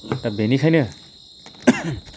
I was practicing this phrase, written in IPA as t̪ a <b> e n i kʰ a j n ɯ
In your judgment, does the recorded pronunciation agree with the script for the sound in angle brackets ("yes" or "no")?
yes